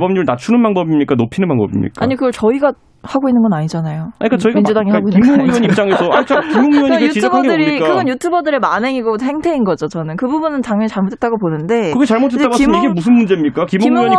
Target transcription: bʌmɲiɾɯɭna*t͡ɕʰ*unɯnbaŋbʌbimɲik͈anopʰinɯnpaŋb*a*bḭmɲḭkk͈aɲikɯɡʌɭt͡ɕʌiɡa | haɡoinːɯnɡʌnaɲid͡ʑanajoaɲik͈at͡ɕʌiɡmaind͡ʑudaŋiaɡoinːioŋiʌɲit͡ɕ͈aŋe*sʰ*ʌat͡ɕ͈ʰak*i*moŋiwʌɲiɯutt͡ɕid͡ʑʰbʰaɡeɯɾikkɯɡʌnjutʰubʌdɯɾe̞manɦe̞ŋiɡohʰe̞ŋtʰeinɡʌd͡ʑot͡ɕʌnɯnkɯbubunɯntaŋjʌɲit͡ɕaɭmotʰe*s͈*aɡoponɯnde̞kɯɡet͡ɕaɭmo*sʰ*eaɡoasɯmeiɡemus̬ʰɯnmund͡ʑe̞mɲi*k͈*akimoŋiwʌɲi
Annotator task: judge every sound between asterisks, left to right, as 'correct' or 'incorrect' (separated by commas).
correct, incorrect, correct, correct, incorrect, incorrect, correct